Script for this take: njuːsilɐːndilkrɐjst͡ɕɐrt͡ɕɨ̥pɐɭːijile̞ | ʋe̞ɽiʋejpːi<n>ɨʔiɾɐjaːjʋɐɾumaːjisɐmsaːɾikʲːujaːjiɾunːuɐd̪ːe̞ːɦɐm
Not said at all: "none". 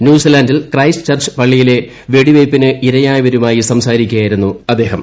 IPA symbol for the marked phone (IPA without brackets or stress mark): n